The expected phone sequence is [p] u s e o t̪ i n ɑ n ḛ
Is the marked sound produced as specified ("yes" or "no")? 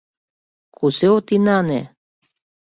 no